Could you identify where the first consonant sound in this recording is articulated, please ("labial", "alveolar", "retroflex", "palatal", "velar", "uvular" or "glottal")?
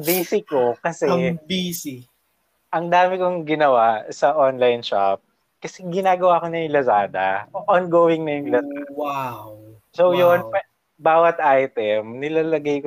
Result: labial